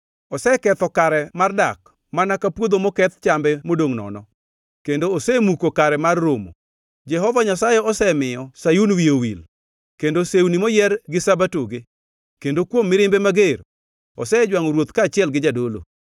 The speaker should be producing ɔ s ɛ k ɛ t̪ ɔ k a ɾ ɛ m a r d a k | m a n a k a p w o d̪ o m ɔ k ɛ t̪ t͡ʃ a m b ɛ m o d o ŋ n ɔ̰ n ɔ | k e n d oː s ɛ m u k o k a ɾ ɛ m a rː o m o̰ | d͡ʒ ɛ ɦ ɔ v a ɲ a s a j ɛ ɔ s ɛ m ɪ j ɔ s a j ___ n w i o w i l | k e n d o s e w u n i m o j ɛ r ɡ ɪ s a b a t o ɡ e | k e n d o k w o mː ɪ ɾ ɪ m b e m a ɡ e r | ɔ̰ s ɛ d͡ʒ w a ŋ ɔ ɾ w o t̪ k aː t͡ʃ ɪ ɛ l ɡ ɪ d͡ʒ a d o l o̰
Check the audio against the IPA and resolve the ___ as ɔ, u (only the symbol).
u